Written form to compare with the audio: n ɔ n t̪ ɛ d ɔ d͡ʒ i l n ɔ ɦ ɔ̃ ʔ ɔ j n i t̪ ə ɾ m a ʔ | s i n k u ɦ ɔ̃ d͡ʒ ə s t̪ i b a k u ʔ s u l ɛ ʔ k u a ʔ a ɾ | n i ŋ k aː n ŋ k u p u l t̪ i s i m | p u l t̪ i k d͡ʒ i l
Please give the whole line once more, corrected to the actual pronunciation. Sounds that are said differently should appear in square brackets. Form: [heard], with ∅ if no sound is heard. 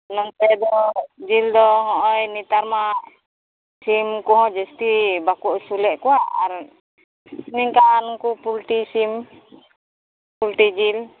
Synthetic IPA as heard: n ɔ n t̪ ɛ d ɔ d͡ʒ i l [d] ɔ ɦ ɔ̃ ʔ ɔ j n i t̪ [a] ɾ m a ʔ | s i [m] k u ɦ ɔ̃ d͡ʒ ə s t̪ i b a k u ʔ s u l ɛ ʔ k u a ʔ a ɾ | n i ŋ k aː n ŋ k u p u l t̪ i s i m | p u l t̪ i [∅] d͡ʒ i l